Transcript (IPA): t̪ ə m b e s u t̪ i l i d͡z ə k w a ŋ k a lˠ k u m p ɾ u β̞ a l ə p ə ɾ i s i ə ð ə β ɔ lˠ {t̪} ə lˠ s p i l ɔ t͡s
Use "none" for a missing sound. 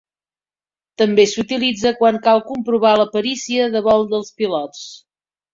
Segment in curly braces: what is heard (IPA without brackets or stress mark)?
d̪